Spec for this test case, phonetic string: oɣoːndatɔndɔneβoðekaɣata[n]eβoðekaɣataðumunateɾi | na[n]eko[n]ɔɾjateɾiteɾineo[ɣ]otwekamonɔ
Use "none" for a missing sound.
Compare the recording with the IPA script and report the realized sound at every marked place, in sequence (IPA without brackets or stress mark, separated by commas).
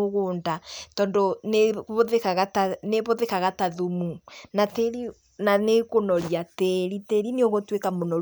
n, n, n, ɣ